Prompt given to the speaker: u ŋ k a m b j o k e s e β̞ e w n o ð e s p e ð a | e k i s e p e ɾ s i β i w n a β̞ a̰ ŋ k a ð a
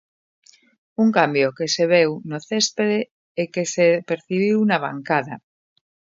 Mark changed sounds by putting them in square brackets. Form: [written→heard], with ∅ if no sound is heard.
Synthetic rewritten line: u ŋ k a m b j o k e s e β̞ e w n o [ð→θ] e s p e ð [a→e] | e k [i→e] s e p e ɾ [s→θ] i β i w n a β̞ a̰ ŋ k a ð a